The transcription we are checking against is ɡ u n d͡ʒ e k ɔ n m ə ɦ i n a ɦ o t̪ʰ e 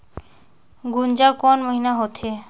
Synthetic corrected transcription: ɡ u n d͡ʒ a k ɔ n m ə ɦ i n a ɦ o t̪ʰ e